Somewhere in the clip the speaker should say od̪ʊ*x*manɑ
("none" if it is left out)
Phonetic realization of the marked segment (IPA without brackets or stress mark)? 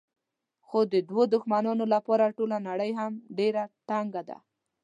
x